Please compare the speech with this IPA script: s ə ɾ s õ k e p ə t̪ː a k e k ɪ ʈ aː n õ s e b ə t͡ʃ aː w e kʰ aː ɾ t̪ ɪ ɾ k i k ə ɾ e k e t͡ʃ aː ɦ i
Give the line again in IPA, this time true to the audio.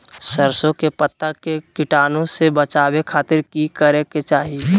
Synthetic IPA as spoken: s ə ɾ s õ k e p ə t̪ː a k e k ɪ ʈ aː n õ s e b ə t͡ʃ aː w e kʰ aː t̪ ɪ ɾ k i k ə ɾ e k e t͡ʃ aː ɦ i